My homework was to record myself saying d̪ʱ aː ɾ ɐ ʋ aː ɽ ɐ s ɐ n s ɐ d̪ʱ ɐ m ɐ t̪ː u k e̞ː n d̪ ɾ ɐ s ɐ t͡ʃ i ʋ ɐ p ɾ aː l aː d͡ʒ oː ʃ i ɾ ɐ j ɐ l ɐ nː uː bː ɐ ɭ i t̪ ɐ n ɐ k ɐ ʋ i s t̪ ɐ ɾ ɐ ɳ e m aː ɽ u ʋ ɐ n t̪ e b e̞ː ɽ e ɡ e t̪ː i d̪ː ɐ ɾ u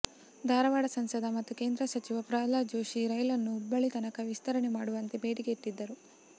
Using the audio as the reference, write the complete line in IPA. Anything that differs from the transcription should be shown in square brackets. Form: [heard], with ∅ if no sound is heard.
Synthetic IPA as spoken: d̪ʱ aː ɾ ɐ ʋ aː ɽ ɐ s ɐ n s ɐ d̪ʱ ɐ m ɐ t̪ː u k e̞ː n d̪ ɾ ɐ s ɐ t͡ʃ i ʋ ɐ p ɾ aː l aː d͡ʒ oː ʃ i ɾ ɐ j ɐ l ɐ nː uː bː ɐ ɭ i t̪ ɐ n ɐ k ɐ ʋ i s t̪ ɐ ɾ ɐ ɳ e m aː ɽ u ʋ ɐ n t̪ e b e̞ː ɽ [i] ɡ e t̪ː i d̪ː ɐ ɾ u